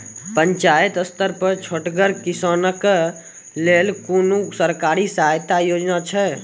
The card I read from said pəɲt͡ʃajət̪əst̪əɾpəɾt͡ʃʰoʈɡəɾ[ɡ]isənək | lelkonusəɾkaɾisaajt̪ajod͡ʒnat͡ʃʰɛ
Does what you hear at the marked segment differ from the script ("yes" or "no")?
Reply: yes